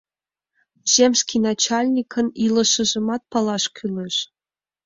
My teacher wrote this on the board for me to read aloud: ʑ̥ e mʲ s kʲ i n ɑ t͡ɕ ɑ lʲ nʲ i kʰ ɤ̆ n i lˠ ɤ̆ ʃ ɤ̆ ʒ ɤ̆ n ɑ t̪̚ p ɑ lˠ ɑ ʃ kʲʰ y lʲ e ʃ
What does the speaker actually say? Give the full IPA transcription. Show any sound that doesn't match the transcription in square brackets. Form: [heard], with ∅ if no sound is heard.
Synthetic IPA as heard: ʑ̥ e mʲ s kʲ i n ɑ t͡ɕ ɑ lʲ nʲ i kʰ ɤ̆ n i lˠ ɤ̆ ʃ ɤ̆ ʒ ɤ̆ [m] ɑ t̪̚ p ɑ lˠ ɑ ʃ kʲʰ y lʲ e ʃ